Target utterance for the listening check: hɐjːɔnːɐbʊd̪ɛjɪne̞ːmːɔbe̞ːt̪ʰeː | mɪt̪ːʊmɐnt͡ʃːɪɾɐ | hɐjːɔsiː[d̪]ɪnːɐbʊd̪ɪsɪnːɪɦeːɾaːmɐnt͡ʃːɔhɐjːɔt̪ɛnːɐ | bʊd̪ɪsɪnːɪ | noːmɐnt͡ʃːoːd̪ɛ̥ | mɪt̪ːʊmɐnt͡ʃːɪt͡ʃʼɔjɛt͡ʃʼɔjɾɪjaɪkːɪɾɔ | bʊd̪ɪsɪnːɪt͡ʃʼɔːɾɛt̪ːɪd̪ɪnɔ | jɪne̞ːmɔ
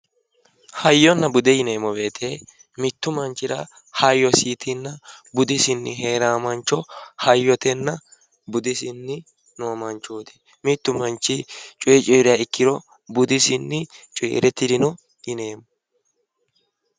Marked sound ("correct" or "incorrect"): incorrect